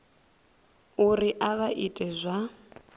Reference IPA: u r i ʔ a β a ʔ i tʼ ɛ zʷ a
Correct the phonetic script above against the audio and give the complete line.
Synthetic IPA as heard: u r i ʔ a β a ʔ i tʼ ɛ zʷ a